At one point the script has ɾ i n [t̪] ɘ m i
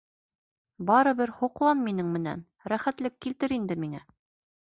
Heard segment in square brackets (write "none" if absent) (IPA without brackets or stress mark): d̪